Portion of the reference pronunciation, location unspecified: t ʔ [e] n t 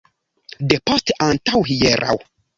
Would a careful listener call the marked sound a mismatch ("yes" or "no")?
yes